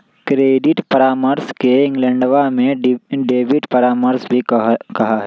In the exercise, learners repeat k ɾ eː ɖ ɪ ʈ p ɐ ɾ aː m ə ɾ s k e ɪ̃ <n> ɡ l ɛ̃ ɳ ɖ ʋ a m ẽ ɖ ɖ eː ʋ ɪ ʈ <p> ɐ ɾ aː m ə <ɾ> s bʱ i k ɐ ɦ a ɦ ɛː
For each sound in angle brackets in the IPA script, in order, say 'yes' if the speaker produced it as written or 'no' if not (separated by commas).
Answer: no, yes, yes